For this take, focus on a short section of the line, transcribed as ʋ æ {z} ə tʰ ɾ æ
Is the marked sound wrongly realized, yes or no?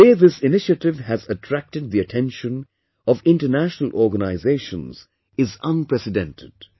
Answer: no